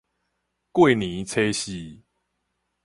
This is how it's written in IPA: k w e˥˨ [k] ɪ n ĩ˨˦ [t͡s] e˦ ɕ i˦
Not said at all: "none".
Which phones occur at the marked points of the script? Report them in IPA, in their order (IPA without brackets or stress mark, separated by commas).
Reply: none, t͡sʰ